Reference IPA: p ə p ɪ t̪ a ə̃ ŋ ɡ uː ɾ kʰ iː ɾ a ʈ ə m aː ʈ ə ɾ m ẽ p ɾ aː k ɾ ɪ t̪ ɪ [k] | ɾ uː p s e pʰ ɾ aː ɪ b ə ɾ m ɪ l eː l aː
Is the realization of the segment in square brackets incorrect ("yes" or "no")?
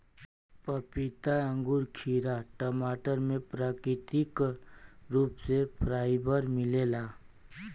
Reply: no